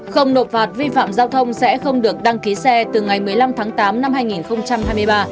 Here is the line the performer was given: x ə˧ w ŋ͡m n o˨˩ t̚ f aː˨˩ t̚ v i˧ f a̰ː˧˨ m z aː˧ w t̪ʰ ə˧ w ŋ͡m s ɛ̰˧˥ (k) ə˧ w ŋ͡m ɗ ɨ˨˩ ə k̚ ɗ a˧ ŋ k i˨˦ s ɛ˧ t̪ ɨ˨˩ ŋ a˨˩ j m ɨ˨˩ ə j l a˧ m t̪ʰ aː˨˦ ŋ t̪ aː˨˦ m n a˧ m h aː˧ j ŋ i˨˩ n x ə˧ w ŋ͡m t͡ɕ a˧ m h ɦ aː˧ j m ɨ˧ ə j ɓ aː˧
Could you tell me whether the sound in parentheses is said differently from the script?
yes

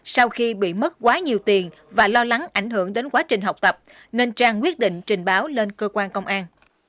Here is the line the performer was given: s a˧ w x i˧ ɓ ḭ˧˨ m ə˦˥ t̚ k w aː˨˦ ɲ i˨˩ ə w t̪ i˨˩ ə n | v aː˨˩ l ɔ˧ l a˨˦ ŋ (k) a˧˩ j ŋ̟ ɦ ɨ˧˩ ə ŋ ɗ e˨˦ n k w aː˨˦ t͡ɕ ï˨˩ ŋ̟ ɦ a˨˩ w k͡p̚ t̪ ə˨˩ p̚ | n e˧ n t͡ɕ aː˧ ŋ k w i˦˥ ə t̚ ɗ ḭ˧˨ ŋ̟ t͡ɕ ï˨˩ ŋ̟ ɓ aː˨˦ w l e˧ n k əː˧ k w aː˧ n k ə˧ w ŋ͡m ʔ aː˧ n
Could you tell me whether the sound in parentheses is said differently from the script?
yes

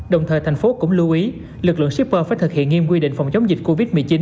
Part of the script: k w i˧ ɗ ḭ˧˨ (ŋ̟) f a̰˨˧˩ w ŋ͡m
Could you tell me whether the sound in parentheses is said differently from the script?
no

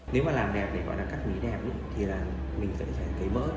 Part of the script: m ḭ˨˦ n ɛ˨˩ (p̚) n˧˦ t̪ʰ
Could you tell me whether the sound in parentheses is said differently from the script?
no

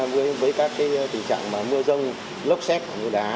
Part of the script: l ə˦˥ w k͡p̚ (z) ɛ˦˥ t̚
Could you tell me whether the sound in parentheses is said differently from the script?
yes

